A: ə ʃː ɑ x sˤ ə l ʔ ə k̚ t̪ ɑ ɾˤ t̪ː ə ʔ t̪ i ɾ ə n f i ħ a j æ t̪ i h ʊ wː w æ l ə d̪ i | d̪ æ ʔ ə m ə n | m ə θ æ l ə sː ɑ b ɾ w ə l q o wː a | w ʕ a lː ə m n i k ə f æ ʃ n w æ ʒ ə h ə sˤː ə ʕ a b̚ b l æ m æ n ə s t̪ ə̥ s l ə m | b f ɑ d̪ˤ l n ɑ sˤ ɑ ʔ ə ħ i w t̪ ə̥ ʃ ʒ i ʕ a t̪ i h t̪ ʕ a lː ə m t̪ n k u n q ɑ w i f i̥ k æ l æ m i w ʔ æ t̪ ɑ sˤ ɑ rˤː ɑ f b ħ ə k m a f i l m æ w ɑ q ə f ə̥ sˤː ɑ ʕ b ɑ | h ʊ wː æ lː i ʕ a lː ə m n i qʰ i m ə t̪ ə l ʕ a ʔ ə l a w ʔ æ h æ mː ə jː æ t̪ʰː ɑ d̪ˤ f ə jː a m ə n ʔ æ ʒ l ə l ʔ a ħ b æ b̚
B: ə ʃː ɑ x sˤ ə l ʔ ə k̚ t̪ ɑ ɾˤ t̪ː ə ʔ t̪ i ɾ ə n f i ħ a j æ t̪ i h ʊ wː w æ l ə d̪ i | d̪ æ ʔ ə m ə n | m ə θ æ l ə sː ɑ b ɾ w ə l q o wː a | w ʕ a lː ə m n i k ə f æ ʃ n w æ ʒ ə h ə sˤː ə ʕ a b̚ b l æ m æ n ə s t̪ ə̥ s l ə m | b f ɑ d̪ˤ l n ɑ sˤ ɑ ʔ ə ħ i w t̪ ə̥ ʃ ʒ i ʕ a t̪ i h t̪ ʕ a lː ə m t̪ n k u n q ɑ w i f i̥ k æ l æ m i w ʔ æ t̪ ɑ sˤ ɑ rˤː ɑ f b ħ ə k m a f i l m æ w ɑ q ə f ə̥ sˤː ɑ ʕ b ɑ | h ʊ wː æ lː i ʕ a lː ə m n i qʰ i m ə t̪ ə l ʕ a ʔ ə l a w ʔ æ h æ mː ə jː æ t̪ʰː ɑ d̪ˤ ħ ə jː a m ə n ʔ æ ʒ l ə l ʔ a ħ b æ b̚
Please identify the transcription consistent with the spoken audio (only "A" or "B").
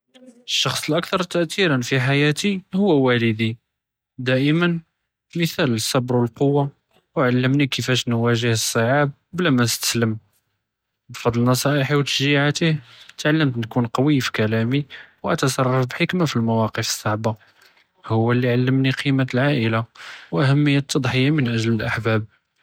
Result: B